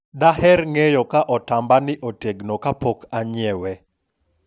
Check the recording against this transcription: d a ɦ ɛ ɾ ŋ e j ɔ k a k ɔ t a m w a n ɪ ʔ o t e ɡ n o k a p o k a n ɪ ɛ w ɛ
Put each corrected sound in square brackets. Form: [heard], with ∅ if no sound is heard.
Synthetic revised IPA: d a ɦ ɛ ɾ ŋ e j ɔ k a [ʔ] ɔ t a m [b] a n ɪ ʔ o t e ɡ n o k a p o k a [ɲ] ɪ ɛ w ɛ